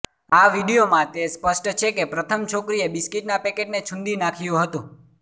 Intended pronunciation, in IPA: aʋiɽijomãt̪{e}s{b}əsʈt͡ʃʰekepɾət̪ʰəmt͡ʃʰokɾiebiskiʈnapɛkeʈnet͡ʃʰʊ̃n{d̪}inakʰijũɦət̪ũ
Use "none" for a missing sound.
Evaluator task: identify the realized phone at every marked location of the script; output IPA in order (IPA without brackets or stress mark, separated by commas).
e, p, d̪